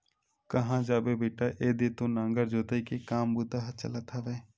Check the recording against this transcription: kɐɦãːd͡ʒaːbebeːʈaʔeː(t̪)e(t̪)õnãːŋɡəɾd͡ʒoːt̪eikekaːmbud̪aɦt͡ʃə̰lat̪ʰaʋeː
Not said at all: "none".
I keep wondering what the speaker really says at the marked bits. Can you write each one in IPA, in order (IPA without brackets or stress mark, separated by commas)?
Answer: d̪, t̪